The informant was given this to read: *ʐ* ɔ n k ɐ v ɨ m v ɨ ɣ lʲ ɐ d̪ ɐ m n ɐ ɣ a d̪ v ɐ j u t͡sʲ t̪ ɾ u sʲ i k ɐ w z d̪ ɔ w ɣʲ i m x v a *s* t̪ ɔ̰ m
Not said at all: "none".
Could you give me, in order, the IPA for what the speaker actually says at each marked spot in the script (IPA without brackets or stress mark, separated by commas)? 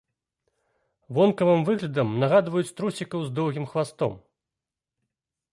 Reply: v, s